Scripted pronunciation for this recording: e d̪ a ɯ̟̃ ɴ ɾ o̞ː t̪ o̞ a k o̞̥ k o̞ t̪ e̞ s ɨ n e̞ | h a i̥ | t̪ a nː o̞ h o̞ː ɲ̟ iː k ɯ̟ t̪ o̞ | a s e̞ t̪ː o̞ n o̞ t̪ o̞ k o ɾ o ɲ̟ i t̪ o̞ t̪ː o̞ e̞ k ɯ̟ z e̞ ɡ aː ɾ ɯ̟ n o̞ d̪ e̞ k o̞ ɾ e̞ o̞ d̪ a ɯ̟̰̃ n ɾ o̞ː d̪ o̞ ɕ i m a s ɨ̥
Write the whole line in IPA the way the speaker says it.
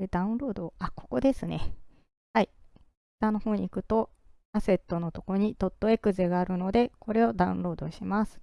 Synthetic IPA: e d̪ a ɯ̟̃ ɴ ɾ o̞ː d̪ o̞ a k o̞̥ k o̞ d̪ e̞ s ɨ n e̞ | h a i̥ | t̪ a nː o̞ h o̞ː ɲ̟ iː k ɯ̟ t̪ o̞ | a s e̞ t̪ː o̞ n o̞ t̪ o̞ k o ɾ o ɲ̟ i t̪ o̞ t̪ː o̞ e̞ k ɯ̟ z e̞ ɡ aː ɾ ɯ̟ n o̞ d̪ e̞ k o̞ ɾ e̞ o̞ d̪ a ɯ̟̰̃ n ɾ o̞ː d̪ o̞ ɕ i m a s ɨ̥